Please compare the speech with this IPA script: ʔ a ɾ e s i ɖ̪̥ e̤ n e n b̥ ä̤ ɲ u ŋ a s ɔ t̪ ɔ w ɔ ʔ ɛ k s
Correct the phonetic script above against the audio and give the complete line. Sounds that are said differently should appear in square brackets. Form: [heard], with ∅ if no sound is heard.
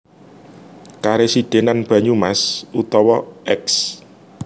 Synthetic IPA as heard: [k] a ɾ e s i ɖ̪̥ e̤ n [a] n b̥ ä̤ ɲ u [m] a s [u] t̪ ɔ w ɔ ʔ ɛ k s